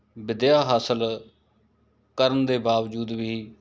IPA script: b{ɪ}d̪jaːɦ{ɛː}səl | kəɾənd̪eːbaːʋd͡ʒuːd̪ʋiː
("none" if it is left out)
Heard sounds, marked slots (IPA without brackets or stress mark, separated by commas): ɪ, aː